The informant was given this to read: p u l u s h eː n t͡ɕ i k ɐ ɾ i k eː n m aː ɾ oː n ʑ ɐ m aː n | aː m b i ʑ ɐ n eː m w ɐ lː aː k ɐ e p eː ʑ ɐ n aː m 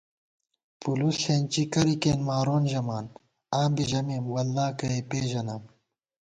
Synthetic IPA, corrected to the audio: p u l u s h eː n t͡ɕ i k ɐ ɾ i k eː n m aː ɾ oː n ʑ ɐ m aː n | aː m b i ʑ ɐ m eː m w ɐ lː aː k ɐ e p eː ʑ ɐ n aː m